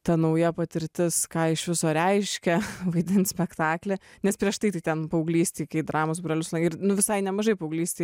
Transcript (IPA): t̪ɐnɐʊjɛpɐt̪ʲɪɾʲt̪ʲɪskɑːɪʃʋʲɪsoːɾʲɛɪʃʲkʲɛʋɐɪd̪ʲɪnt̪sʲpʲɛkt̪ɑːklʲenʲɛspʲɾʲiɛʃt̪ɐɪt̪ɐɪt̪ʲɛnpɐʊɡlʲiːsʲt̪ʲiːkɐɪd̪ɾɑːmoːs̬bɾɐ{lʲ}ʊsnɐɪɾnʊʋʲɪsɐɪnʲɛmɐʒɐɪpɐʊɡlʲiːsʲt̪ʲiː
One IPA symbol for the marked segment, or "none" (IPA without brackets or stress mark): lʲ